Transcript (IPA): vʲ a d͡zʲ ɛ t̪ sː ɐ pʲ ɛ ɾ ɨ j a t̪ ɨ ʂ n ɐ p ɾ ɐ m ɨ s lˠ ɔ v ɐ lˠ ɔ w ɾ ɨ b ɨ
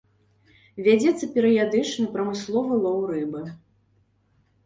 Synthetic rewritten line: vʲ a d͡zʲ ɛ t̪ sː ɐ pʲ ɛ ɾ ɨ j a d̪ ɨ t͡ʂ n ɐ p ɾ ɐ m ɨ s lˠ ɔ v ɐ lˠ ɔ w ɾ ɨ b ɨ